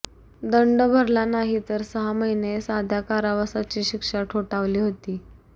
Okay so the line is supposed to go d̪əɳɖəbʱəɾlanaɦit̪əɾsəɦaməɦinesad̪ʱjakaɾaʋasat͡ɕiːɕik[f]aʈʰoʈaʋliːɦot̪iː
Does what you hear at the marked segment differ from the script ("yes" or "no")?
yes